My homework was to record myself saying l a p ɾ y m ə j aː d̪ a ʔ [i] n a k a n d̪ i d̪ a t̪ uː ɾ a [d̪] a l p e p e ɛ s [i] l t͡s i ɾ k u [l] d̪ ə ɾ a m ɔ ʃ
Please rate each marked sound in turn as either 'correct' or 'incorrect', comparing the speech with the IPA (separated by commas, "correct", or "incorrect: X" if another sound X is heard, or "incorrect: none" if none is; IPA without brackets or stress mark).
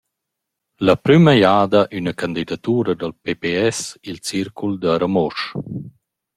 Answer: incorrect: y, correct, correct, correct